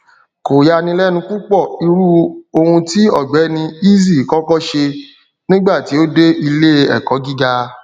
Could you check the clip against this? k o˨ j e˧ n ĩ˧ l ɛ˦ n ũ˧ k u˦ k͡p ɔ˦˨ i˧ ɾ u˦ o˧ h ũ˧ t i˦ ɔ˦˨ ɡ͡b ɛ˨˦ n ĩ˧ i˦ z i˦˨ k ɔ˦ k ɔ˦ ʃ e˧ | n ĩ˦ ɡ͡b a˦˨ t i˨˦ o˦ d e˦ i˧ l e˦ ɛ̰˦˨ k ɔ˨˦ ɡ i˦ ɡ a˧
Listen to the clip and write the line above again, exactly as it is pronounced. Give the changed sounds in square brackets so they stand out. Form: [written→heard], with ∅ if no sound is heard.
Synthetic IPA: k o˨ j [e˧→a˧] n ĩ˧ l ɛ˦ n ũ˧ k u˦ k͡p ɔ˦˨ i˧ ɾ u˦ o˧ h ũ˧ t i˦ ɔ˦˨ ɡ͡b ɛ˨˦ n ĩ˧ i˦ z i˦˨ k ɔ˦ k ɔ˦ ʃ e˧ | n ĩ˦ ɡ͡b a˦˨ t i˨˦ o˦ d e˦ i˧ l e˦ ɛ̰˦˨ k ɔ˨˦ ɡ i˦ ɡ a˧